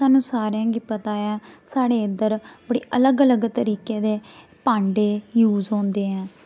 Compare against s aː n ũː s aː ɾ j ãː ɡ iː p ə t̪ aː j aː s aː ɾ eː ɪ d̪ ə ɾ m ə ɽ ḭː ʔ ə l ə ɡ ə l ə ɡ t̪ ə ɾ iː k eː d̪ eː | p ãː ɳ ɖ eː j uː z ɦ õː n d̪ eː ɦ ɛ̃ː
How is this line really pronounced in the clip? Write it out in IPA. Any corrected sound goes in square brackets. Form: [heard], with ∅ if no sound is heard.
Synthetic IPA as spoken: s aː n ũː s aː ɾ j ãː ɡ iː p ə t̪ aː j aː s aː [ɽ] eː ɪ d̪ ə ɾ [b] ə ɽ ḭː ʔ ə l ə ɡ ə l ə ɡ t̪ ə ɾ iː k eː d̪ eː | p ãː ɳ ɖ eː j uː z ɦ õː n d̪ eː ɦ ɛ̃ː